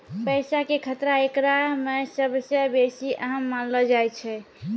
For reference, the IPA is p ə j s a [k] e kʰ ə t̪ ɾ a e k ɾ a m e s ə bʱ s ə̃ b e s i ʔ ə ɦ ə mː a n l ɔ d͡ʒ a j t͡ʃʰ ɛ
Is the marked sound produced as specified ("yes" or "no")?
yes